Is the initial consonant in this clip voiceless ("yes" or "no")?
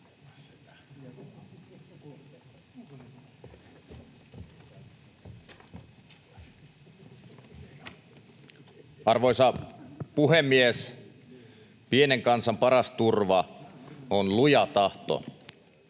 no